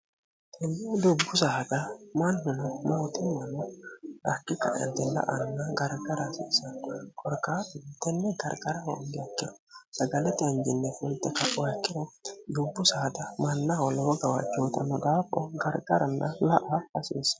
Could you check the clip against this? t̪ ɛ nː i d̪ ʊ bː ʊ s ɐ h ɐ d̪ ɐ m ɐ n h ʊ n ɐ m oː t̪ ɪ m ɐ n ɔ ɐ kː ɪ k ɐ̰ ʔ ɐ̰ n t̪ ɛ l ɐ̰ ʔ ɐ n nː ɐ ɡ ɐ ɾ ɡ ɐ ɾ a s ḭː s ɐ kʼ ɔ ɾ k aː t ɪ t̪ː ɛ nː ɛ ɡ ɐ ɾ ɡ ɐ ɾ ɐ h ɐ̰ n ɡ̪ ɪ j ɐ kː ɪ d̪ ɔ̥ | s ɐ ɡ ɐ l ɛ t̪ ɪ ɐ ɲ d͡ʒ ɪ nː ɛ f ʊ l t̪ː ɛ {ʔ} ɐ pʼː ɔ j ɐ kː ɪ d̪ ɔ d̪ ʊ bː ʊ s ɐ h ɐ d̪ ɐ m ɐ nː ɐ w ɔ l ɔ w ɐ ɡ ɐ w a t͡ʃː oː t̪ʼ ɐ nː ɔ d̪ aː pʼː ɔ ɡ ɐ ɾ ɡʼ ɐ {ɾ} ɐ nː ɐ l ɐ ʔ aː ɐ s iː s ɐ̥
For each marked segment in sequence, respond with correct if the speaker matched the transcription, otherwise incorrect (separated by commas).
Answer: incorrect, correct